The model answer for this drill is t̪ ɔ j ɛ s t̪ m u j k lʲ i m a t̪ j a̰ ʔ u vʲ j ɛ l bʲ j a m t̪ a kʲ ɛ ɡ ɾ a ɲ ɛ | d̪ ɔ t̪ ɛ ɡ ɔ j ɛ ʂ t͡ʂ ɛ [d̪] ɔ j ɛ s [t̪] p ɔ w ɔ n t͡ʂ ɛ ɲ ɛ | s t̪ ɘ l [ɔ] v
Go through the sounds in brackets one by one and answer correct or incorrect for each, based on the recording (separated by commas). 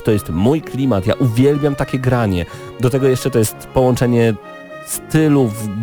incorrect, correct, incorrect